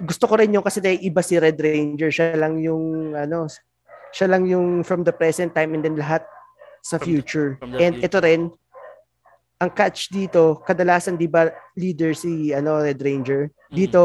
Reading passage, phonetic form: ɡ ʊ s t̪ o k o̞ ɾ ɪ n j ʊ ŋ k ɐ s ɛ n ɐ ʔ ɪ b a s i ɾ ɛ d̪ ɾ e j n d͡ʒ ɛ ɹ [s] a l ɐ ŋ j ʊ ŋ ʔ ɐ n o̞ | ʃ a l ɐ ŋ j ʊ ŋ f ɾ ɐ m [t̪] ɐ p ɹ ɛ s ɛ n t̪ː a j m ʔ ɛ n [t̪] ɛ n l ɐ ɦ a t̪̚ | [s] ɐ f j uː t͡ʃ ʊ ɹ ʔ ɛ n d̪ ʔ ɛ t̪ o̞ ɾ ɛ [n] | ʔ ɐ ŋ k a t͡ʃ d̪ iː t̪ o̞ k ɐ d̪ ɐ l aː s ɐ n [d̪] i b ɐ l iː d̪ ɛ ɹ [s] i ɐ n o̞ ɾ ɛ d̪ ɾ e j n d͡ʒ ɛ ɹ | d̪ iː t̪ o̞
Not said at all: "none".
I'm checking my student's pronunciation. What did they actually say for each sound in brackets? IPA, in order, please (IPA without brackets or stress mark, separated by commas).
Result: ʃ, d̪, d̪, s, n, d̪, s